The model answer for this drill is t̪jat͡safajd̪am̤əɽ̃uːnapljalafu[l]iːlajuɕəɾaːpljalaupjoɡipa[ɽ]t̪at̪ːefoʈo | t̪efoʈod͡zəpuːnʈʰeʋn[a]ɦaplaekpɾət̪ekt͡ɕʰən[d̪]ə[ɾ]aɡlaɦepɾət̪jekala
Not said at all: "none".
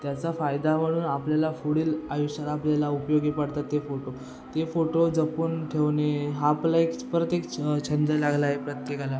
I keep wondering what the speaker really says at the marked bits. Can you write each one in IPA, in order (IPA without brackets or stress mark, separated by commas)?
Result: ɽ, ɽ, e, d̪, l